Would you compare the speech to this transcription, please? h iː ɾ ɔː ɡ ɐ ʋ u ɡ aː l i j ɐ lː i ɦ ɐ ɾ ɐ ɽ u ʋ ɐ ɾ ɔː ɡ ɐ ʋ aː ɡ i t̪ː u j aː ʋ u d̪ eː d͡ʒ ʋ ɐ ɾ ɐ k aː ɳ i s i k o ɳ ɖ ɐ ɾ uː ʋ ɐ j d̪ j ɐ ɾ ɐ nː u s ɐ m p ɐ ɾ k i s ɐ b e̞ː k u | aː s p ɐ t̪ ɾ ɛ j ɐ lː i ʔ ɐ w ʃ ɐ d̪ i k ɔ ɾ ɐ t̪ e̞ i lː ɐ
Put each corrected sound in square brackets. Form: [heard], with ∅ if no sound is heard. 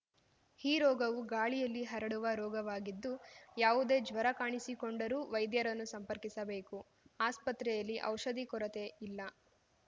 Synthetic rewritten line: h iː ɾ ɔː ɡ ɐ ʋ u ɡ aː [ɭ] i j ɐ lː i ɦ ɐ ɾ ɐ ɽ u ʋ ɐ ɾ ɔː ɡ ɐ ʋ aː ɡ i [d̪ː] u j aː ʋ u d̪ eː d͡ʒ ʋ ɐ ɾ ɐ k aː ɳ i s i k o ɳ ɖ ɐ ɾ uː ʋ ɐ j d̪ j ɐ ɾ ɐ nː u s ɐ m p ɐ ɾ k i s ɐ b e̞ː k u | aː s p ɐ t̪ ɾ ɛ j ɐ lː i ʔ ɐ w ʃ ɐ d̪ i k ɔ ɾ ɐ t̪ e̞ i lː ɐ